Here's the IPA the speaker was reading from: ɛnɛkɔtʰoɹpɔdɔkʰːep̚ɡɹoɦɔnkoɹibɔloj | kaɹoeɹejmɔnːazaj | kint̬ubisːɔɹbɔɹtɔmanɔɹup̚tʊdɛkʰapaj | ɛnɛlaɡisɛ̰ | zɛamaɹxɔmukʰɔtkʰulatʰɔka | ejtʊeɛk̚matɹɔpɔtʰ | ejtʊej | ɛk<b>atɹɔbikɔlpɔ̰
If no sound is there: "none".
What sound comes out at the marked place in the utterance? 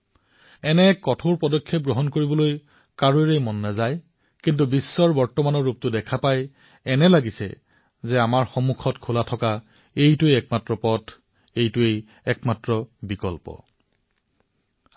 m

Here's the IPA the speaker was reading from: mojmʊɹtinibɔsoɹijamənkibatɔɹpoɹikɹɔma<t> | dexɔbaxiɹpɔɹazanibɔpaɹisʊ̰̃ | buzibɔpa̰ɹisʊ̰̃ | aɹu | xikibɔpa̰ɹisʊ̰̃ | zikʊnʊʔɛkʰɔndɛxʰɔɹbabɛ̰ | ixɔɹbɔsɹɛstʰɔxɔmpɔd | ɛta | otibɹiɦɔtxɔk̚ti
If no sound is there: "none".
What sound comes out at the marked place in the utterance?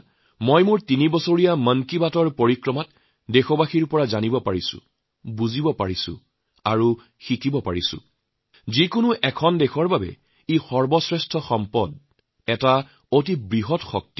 t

